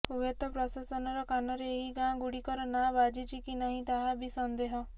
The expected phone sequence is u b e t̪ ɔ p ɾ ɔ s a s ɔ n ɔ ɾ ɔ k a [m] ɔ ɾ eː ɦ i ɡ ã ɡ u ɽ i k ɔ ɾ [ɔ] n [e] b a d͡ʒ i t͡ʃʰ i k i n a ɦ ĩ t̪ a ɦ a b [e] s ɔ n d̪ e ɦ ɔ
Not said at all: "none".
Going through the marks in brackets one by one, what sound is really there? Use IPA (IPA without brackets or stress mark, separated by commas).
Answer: n, ɔ, a, i